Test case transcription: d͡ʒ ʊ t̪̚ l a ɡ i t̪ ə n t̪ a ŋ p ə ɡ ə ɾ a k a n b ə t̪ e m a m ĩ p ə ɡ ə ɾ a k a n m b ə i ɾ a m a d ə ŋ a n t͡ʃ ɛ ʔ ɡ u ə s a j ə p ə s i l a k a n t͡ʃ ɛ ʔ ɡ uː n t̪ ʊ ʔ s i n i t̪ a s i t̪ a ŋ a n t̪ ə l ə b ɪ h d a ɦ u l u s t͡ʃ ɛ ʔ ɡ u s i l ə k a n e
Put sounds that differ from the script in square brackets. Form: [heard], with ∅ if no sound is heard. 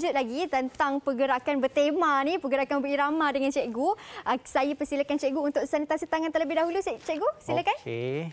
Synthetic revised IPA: d͡ʒ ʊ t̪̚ l a ɡ i t̪ ə n t̪ a ŋ p ə ɡ ə ɾ a k a n b ə t̪ e m a [n] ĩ p ə ɡ ə ɾ a k a n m b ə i ɾ a m a d ə ŋ a n t͡ʃ ɛ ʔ ɡ u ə s a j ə p ə s i l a k a n t͡ʃ ɛ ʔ ɡ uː n t̪ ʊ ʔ s [a] n i t̪ a s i t̪ a ŋ a n t̪ ə l ə b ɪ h d a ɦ u l u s t͡ʃ ɛ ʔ ɡ u s i l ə k a n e